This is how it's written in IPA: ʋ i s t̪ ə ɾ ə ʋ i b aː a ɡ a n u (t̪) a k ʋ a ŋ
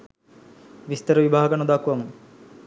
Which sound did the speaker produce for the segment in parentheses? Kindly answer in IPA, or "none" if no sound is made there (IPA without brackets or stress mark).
d̪